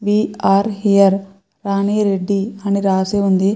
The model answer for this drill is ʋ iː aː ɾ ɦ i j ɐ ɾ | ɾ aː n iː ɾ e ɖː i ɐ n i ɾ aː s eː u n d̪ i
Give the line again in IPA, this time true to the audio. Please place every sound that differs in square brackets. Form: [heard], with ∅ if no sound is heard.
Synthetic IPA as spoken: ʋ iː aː ɾ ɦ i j ɐ ɾ | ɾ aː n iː ɾ e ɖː i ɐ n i ɾ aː s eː u n d̪ i